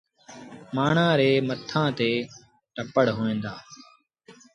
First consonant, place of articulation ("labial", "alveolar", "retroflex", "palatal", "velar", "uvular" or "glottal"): labial